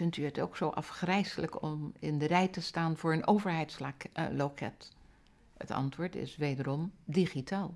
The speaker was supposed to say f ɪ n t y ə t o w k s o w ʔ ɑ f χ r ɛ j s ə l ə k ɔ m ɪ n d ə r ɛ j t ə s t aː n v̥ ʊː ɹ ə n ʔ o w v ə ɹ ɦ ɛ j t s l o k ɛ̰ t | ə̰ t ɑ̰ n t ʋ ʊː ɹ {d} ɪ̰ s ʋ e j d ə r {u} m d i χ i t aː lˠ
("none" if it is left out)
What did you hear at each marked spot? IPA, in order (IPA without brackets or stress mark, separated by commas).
t, ɔ